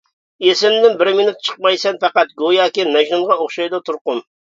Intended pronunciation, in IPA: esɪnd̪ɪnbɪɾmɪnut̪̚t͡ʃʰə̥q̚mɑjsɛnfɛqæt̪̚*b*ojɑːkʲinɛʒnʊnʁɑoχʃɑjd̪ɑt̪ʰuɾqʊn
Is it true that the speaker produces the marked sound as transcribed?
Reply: no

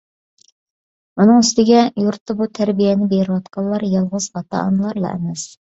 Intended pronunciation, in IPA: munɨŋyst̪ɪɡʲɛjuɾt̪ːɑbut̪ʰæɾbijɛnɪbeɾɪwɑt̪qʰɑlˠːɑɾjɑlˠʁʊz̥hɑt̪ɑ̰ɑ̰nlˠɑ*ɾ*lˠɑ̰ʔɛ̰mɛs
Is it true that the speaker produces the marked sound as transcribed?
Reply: yes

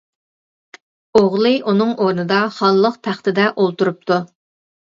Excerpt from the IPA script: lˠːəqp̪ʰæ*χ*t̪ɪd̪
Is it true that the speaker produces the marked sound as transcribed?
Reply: yes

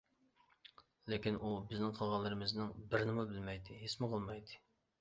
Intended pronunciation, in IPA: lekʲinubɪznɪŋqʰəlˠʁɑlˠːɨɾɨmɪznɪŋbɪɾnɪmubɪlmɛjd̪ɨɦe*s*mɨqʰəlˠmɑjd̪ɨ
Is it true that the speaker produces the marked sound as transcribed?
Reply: yes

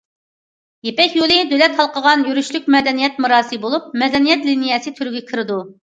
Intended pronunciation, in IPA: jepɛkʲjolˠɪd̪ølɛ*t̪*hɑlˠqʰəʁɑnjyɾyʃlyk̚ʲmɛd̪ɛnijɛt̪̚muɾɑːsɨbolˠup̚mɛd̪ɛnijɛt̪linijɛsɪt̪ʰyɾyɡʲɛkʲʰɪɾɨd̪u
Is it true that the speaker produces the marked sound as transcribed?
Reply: yes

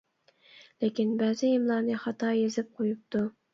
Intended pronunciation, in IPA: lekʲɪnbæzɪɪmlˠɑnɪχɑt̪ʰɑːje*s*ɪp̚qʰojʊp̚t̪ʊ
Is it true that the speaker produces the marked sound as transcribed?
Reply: no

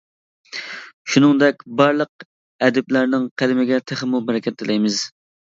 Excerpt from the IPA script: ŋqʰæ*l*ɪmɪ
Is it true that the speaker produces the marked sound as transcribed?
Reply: yes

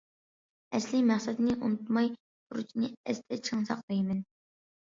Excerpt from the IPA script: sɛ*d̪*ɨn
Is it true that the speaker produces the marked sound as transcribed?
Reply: yes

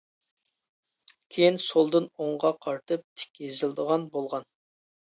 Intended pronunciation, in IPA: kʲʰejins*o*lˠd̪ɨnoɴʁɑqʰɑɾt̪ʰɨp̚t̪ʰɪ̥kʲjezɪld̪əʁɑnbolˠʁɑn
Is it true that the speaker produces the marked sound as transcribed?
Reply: yes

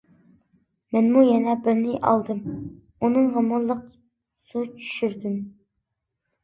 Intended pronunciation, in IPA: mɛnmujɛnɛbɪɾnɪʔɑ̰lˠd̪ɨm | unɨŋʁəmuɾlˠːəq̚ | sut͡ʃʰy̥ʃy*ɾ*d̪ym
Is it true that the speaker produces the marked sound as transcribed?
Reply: yes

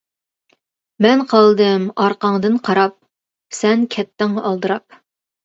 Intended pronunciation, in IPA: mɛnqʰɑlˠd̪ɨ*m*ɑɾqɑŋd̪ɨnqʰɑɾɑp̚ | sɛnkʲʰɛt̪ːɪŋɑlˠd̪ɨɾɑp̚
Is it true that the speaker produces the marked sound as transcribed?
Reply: yes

